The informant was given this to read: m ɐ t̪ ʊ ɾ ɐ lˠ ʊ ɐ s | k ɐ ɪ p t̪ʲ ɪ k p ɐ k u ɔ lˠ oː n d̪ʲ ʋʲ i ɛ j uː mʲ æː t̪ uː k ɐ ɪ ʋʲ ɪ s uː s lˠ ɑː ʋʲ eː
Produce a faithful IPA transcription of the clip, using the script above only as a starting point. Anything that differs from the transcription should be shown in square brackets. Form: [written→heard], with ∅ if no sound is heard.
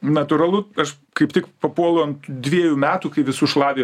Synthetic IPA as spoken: [m→n] ɐ t̪ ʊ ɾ ɐ lˠ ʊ ɐ [s→ʃ] | k ɐ ɪ p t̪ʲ ɪ k p ɐ [k→p] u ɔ lˠ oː n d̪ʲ ʋʲ i ɛ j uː mʲ æː t̪ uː k ɐ ɪ ʋʲ ɪ s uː [s→ʃ] lˠ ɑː ʋʲ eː